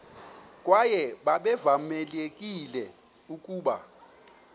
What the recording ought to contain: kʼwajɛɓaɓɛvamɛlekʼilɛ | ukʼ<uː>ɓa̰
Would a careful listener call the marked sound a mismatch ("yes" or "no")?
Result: no